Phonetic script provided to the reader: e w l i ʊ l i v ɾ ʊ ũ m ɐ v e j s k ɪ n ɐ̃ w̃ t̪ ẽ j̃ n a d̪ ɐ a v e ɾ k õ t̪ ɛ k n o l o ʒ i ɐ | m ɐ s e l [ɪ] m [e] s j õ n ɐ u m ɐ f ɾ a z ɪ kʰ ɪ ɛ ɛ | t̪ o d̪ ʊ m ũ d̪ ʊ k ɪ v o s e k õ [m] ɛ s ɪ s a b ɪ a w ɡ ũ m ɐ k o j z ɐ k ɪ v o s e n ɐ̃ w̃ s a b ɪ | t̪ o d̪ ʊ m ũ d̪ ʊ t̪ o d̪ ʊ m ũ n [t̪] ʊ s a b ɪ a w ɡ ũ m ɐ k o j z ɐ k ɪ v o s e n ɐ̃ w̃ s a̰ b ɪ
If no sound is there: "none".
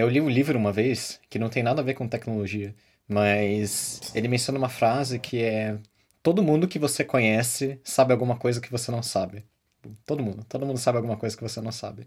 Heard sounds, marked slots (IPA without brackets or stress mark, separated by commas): ɪ, ẽ, ɲ, d̪